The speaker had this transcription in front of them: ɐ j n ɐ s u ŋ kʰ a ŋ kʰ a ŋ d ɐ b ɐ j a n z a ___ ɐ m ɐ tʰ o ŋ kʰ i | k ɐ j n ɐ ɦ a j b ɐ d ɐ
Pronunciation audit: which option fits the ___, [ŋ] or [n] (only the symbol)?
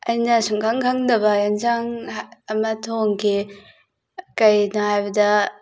ŋ